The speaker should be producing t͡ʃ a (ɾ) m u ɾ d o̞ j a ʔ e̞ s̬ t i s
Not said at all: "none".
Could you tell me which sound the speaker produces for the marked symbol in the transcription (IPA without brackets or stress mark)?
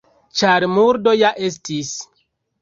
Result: ɾ